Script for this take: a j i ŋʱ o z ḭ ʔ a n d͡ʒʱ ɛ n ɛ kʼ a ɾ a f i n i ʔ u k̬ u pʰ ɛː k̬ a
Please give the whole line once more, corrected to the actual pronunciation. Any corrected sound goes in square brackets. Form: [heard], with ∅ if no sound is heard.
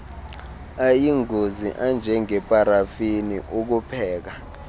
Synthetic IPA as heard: a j i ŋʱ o z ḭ ʔ a n d͡ʒʱ ɛ [ŋ] ɛ [pʼ] a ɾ a f i n i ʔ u k̬ u pʰ ɛː k̬ a